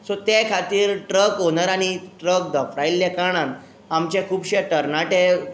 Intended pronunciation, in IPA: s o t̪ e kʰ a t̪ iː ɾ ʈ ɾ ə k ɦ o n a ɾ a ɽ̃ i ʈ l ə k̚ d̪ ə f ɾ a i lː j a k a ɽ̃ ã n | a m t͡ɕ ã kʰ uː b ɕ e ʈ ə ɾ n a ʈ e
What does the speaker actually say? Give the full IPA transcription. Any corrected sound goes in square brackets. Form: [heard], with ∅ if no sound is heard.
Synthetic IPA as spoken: s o t̪ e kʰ a t̪ iː ɾ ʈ ɾ ə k ɦ o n a ɾ a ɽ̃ i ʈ [ɾ] ə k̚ d̪ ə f ɾ a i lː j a k a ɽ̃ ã n | a m t͡ɕ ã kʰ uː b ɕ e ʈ ə ɾ n a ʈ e